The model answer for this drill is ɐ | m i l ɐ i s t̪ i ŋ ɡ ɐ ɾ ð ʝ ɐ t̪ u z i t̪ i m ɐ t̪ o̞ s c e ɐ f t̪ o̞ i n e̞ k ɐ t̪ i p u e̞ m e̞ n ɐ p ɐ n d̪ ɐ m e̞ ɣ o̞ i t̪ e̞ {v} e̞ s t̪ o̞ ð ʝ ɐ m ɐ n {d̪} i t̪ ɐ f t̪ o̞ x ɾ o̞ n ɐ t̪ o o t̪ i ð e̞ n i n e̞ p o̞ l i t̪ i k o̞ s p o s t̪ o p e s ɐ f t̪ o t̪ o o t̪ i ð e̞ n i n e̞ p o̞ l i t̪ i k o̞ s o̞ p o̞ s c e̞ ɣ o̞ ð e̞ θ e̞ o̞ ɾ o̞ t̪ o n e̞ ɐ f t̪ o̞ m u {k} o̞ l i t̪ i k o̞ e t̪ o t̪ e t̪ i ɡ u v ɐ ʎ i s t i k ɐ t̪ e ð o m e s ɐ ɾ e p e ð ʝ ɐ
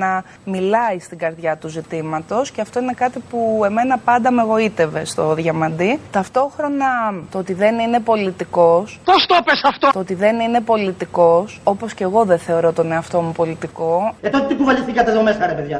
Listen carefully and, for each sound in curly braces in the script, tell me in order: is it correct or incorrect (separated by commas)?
correct, correct, incorrect